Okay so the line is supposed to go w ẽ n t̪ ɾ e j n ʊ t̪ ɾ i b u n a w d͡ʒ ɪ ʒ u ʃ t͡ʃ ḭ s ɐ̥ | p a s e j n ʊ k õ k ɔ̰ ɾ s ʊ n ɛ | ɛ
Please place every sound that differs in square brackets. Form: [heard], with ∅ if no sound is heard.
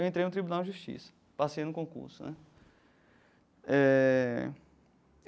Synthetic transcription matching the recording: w ẽ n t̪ ɾ e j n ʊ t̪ ɾ i b u n a w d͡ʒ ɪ ʒ u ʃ t͡ʃ ḭ s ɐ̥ | p a s e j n ʊ k õ k [ṵ] ɾ s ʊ n ɛ | ɛ